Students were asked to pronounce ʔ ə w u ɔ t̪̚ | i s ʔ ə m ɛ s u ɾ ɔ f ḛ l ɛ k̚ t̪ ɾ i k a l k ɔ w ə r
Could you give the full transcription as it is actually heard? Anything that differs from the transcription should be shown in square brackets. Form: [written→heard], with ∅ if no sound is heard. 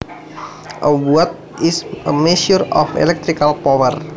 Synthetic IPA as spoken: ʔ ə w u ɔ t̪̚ | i s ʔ ə m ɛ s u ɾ ɔ f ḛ l ɛ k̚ t̪ ɾ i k a l [k→p] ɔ w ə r